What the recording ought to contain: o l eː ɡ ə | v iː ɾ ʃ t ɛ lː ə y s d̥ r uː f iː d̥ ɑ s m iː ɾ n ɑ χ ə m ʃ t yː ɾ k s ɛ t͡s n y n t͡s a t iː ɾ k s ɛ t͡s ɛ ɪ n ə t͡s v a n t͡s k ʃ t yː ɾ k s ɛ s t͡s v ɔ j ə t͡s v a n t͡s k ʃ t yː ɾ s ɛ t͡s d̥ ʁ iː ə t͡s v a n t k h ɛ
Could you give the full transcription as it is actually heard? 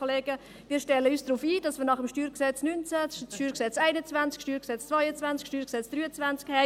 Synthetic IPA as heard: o l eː ɡ ə | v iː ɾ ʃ t ɛ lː ə y s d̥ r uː f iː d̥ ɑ s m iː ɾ n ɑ χ ə m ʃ t yː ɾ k s ɛ t͡s n y n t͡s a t yː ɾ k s ɛ t͡s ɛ ɪ n ə t͡s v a n t͡s k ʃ t yː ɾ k s ɛ t͡s t͡s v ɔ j ə t͡s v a n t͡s k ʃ t yː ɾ s ɛ t͡s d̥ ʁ yː ə t͡s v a n t͡s k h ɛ